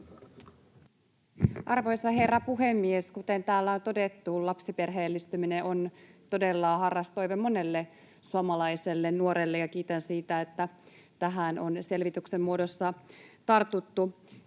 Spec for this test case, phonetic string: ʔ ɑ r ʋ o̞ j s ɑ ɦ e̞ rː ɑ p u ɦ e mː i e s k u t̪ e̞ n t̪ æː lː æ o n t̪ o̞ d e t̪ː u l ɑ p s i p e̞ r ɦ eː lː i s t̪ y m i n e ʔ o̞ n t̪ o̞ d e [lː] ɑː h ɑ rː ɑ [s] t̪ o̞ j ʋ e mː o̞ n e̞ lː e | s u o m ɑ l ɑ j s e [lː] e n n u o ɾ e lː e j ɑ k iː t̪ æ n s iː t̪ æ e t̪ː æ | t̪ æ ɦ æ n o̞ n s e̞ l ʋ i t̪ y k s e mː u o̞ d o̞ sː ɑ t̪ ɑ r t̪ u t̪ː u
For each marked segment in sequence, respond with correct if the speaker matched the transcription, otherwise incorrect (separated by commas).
correct, correct, correct